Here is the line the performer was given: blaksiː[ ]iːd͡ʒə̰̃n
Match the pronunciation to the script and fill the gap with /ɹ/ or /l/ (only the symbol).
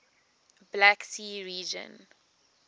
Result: ɹ